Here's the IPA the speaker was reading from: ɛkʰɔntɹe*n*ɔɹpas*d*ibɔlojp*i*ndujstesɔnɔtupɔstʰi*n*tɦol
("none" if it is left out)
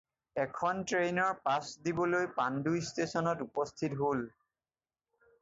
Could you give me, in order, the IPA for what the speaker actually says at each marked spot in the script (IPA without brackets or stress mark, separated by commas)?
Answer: n, d, a, none